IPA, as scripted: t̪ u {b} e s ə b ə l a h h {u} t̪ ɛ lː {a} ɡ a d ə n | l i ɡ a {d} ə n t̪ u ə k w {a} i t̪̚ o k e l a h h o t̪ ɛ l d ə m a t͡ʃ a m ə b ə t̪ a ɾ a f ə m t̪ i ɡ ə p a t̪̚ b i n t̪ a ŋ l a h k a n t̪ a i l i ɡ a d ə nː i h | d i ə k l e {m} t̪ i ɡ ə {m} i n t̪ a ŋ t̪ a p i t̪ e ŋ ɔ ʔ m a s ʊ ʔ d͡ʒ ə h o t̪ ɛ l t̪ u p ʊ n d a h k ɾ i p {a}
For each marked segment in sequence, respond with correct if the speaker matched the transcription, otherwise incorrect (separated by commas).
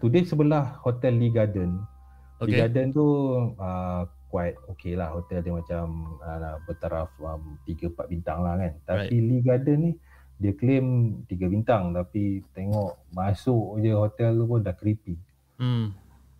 incorrect, incorrect, incorrect, correct, correct, correct, incorrect, incorrect